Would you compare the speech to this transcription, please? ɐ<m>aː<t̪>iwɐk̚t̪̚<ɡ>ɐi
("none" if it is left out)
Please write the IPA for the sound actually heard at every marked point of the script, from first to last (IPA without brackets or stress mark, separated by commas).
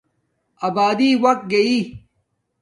b, d̪, ɡ